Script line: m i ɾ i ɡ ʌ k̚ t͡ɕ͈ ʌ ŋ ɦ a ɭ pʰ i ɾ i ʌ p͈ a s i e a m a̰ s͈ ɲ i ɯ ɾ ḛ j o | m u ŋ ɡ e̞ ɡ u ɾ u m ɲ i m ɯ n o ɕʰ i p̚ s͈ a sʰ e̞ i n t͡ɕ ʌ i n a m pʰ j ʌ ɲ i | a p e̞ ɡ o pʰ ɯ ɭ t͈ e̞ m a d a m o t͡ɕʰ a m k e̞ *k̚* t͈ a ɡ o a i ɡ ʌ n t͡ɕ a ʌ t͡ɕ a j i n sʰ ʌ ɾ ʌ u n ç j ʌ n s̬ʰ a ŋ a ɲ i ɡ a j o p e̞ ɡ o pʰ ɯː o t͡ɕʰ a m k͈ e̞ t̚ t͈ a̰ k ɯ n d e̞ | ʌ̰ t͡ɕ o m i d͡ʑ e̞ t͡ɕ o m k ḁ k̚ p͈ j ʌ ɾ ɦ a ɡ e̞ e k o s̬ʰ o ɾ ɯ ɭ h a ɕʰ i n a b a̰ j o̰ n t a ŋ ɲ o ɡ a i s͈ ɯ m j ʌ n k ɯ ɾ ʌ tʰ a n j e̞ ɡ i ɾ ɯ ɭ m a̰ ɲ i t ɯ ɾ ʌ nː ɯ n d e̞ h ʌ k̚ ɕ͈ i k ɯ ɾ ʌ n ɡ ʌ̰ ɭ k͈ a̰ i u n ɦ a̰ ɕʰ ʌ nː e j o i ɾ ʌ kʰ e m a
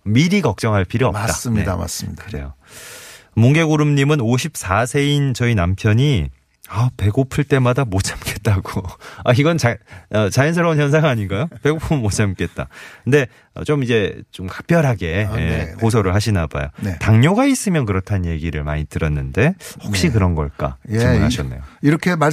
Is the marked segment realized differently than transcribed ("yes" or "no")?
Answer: yes